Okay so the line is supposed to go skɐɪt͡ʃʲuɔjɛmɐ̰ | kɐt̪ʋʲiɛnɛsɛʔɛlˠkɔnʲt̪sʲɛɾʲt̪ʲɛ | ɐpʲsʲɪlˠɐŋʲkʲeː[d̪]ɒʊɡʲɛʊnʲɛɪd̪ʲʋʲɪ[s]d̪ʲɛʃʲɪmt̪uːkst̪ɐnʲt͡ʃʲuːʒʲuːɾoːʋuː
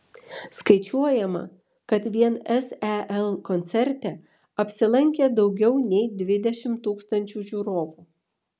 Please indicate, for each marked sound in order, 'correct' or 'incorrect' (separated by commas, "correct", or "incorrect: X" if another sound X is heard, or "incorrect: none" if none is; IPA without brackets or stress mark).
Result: correct, incorrect: none